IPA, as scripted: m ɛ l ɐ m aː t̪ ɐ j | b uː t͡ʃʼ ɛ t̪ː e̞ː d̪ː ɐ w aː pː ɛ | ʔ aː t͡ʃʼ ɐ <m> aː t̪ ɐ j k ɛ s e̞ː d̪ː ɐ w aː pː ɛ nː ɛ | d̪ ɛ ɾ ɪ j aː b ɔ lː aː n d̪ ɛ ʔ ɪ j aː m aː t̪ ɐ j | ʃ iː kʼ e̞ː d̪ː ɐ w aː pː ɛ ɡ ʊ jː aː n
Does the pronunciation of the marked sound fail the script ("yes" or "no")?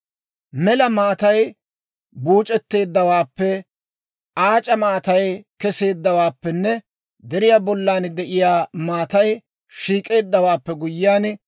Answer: no